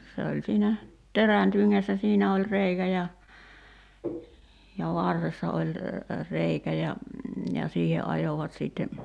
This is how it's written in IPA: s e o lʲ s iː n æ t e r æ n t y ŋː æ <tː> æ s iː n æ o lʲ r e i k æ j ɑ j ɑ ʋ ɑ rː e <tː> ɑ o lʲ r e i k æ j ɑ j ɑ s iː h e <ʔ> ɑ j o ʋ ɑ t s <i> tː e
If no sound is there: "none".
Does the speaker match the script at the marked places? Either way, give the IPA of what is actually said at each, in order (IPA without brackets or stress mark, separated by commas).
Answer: sː, sː, ʔ, iː